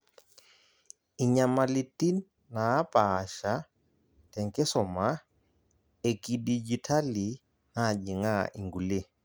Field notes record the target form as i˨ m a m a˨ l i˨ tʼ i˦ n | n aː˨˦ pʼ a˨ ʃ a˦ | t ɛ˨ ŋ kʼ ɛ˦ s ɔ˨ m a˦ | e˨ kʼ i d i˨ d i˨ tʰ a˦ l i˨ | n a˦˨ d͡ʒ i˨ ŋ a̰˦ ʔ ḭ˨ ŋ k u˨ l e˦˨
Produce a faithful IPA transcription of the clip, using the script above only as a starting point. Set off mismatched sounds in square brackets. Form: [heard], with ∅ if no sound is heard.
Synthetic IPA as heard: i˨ [ɲ] a m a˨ l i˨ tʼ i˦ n | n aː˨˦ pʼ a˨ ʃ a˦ | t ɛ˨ ŋ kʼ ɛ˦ s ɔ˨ m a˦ | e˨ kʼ i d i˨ [d͡ʒ] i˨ tʰ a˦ l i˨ | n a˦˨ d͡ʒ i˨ ŋ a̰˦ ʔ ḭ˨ ŋ [ɡ] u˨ l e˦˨